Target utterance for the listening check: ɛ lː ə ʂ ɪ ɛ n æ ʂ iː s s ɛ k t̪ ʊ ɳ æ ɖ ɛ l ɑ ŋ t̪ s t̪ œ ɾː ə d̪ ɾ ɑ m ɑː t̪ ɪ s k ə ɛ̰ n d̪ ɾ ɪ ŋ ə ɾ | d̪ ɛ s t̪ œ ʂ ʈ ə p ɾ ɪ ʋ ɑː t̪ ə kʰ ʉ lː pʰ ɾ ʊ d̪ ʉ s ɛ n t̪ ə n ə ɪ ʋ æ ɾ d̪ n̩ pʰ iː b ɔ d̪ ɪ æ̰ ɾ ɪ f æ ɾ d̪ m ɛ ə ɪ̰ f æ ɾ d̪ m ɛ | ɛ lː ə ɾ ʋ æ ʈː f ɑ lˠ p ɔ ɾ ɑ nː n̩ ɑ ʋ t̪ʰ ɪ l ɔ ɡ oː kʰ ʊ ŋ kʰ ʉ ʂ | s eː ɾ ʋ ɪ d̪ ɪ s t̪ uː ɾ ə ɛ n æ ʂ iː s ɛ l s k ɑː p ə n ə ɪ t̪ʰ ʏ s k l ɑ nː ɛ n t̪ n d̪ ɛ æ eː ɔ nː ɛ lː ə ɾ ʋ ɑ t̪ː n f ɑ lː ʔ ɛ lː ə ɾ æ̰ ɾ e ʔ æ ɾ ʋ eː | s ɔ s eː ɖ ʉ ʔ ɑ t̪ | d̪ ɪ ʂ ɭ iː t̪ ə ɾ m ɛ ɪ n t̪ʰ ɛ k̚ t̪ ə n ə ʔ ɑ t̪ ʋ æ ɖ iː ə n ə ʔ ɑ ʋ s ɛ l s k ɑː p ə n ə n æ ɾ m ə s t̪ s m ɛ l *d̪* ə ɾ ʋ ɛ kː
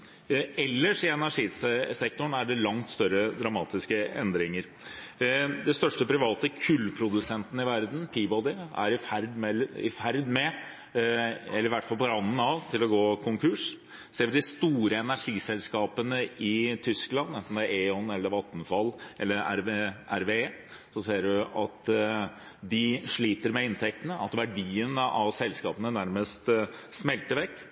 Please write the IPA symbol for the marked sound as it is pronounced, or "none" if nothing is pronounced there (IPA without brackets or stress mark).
t̪